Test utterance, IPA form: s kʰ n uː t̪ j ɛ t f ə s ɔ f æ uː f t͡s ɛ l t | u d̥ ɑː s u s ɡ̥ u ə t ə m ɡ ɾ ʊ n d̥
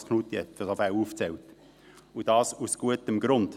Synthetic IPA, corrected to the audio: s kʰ n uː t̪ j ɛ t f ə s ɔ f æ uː f t͡s ɛ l t | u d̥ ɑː s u s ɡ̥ u ə t ə m ɡ ɾ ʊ n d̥